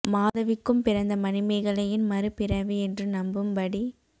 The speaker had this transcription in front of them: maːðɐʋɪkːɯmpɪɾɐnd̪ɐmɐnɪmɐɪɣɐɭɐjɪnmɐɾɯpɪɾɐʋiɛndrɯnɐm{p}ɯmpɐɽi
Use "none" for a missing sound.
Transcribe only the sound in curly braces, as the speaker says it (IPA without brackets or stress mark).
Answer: b